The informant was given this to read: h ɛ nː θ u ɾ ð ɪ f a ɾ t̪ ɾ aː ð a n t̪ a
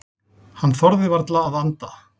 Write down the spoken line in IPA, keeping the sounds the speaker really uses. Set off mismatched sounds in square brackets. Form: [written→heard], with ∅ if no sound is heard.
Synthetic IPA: h [ɛ→a] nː θ [u→ɔ] ɾ ð ɪ [f→v] a ɾ t̪ [ɾ→l] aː ð a n t̪ a